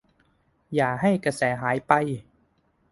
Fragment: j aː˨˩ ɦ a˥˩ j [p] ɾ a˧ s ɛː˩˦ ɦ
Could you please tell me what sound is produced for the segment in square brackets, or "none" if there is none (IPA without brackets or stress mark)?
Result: k